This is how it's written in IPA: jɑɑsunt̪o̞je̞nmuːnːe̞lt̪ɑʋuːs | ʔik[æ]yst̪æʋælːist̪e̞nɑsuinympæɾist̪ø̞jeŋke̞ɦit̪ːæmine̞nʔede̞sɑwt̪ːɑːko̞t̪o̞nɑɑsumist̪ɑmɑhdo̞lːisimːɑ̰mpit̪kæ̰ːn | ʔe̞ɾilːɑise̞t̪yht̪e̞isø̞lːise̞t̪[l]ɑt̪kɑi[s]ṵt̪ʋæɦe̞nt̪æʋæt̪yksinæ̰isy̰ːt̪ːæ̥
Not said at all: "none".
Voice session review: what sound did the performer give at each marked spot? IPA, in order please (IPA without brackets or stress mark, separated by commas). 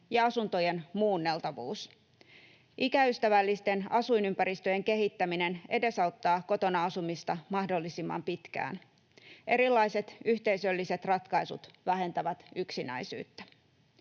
æ, r, s